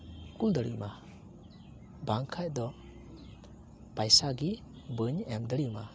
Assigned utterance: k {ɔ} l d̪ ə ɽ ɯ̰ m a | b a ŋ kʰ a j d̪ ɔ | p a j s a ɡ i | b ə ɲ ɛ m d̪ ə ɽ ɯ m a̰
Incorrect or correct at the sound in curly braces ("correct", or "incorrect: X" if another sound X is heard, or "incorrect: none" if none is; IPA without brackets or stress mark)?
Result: incorrect: u